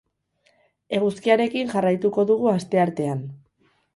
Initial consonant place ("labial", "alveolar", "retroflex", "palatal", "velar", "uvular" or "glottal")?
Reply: velar